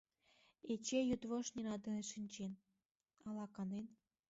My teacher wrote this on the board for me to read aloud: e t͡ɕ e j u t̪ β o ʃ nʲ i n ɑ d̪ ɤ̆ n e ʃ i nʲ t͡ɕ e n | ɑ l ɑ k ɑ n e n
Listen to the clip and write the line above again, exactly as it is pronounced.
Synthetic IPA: e t͡ɕ e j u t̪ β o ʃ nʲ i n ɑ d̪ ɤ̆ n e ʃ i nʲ t͡ɕ e n | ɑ l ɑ k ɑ n e n